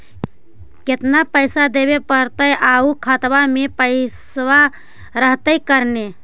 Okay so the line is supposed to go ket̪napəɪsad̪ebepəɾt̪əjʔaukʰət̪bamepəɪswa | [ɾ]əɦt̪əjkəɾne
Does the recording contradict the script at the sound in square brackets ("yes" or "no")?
no